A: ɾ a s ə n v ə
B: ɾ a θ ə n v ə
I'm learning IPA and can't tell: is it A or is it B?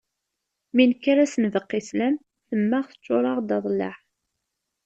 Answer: A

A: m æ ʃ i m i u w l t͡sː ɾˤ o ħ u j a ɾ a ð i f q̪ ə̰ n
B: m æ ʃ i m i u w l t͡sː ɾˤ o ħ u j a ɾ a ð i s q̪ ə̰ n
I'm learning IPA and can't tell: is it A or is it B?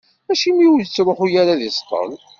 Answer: B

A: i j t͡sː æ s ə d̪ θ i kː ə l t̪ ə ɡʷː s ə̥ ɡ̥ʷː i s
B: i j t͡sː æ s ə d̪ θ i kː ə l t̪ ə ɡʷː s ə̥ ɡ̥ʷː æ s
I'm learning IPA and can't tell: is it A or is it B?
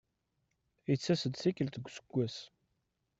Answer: B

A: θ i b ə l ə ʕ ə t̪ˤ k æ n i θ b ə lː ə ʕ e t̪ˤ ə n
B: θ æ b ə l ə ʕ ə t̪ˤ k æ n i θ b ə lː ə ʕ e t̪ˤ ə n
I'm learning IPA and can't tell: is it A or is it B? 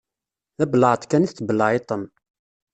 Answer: B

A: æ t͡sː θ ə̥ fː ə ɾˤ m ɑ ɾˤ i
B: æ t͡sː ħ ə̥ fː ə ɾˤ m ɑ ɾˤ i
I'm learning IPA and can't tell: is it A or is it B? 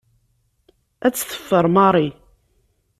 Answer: A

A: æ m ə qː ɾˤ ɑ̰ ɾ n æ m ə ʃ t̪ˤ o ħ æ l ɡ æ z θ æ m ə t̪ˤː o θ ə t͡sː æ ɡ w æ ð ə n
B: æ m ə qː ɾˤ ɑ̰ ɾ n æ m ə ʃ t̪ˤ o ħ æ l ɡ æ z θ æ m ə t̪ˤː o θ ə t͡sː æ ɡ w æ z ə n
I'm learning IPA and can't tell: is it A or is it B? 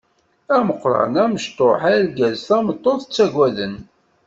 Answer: A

